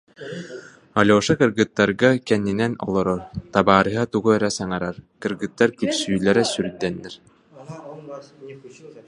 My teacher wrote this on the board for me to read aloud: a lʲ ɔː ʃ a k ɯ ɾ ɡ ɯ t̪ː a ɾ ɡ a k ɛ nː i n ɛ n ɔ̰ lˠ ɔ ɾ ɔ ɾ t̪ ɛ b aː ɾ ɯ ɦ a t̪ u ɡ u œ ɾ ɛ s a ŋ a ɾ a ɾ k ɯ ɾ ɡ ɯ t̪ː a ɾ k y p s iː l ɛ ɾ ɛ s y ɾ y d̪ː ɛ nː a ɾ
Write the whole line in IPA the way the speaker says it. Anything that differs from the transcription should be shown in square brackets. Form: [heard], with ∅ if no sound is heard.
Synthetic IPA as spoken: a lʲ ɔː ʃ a k ɯ ɾ ɡ ɯ t̪ː a ɾ ɡ a k ɛ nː i n ɛ n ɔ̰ lˠ ɔ ɾ ɔ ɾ t̪ [a] b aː ɾ ɯ ɦ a t̪ u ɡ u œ ɾ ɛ s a ŋ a ɾ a ɾ k ɯ ɾ ɡ ɯ t̪ː a ɾ k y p s [yː] l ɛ ɾ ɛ s y ɾ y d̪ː ɛ nː [ɛ] ɾ

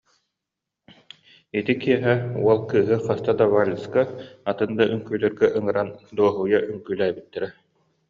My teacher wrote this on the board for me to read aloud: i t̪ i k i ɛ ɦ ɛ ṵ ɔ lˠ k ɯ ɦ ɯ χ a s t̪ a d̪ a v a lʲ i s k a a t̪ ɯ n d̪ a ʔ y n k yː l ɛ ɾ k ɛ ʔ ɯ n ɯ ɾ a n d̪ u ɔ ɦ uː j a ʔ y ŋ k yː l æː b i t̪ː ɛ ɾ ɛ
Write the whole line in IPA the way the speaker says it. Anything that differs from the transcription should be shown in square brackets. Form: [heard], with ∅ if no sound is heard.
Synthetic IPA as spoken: i t̪ i k i ɛ ɦ ɛ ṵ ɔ lˠ k [ɯː] ɦ ɯ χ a s t̪ a d̪ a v a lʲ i s k a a t̪ ɯ n d̪ a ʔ y [ŋ] k yː l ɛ ɾ [ɡ] ɛ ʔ ɯ [ŋ] ɯ ɾ a n d̪ u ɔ ɦ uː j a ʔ y ŋ k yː l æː b i t̪ː ɛ ɾ ɛ

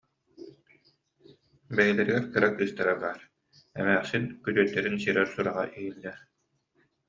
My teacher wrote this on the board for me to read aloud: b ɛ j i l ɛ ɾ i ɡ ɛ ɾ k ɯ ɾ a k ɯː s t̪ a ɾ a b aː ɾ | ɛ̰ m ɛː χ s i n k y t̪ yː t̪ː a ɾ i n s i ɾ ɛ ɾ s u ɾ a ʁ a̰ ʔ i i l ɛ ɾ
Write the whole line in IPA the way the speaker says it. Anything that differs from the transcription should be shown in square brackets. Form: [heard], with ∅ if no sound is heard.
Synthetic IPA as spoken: b ɛ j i l ɛ ɾ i ɡ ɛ ɾ k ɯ ɾ a k ɯː s t̪ a ɾ a b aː ɾ | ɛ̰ m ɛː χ s i n k y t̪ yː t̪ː [ɛ] ɾ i n s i ɾ ɛ ɾ s u ɾ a ʁ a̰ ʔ i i [lː] ɛ ɾ

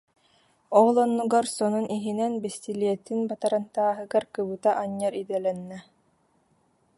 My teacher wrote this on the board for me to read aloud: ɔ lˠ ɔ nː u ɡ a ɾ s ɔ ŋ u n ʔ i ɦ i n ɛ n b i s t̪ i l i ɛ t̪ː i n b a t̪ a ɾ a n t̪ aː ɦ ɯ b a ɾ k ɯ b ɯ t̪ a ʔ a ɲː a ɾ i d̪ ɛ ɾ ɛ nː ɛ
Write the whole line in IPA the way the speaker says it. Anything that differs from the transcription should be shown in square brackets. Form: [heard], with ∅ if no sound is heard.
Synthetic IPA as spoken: ɔ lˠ ɔ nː u ɡ a ɾ s ɔ [n] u n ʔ i ɦ i n ɛ n b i s t̪ i l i ɛ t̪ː i n b a t̪ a ɾ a n t̪ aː ɦ ɯ [ɡ] a ɾ k ɯ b ɯ t̪ a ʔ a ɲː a ɾ i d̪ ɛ [l] ɛ nː ɛ

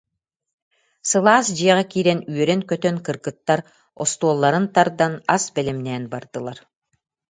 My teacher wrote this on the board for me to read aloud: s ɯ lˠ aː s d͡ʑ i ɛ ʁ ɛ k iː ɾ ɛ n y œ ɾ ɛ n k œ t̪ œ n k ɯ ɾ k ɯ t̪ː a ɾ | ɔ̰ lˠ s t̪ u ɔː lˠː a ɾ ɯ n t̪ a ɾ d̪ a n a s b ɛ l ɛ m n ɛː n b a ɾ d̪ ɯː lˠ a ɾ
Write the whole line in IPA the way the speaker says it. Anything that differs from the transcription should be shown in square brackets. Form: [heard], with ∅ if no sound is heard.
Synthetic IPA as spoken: s ɯ lˠ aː s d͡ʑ i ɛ ʁ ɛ k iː ɾ ɛ n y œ ɾ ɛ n k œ t̪ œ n k ɯ ɾ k ɯ t̪ː a ɾ | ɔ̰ [∅] s t̪ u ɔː lˠː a ɾ ɯ n t̪ a ɾ d̪ a n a s b ɛ l ɛ m n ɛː n b a ɾ d̪ [ɯ] lˠ a ɾ

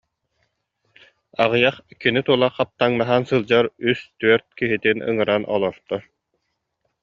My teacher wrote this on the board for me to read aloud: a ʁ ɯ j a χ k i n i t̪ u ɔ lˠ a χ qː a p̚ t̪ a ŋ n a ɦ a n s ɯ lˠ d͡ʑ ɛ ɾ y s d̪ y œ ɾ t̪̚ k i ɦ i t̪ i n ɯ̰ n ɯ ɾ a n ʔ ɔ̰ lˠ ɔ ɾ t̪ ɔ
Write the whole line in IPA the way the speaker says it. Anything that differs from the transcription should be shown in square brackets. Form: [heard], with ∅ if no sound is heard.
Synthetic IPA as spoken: a ʁ ɯ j a χ k i n i t̪ u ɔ lˠ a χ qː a p̚ t̪ a ŋ n a ɦ a n s ɯ lˠ d͡ʑ [a] ɾ y s [t̪] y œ ɾ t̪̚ k i ɦ i t̪ i n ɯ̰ [ŋ] ɯ ɾ a n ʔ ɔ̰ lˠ ɔ ɾ t̪ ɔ

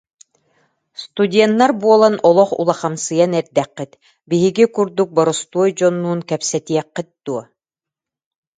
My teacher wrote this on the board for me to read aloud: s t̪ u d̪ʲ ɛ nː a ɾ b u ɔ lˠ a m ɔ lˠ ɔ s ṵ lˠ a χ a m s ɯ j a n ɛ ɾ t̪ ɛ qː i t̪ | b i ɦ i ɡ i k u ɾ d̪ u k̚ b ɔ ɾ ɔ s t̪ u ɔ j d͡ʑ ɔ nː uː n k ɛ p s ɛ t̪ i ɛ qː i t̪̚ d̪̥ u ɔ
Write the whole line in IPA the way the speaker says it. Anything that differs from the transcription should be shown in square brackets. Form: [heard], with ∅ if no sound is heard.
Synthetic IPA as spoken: s t̪ u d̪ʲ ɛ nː a ɾ b u ɔ lˠ a [n] ɔ lˠ ɔ [χ] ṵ lˠ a χ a m s ɯ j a n ɛ ɾ [d̪] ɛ qː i t̪ | b i ɦ i ɡ i k u ɾ d̪ u k̚ b ɔ ɾ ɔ s t̪ u ɔ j d͡ʑ ɔ nː uː n k ɛ p s ɛ t̪ i ɛ qː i t̪̚ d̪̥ u ɔ

